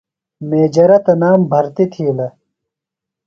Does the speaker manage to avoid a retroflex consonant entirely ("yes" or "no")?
yes